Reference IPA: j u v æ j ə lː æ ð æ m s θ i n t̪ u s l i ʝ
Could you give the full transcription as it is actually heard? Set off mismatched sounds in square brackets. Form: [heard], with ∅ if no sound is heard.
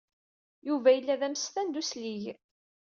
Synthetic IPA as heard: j u v æ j ə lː æ ð æ m s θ [æ] n [d̪] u s l i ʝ